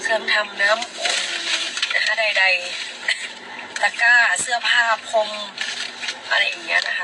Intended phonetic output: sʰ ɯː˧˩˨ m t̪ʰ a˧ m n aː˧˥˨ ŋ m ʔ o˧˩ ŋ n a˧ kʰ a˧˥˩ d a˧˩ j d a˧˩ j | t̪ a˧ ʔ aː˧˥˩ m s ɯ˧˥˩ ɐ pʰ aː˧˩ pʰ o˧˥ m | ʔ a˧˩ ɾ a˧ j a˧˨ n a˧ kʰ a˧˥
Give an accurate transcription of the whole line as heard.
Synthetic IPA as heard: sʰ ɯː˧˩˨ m t̪ʰ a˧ m n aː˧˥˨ m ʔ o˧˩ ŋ n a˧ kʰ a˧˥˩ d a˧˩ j d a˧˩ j | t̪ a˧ k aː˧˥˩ s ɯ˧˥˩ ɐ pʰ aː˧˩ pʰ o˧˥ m | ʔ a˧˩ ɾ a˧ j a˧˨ n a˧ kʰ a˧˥